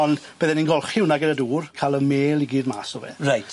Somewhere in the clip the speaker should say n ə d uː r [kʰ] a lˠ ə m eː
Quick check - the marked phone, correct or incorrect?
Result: correct